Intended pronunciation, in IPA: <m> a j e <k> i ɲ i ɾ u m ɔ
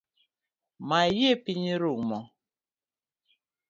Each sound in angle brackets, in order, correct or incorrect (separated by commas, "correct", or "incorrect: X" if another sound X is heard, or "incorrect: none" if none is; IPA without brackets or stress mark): correct, incorrect: p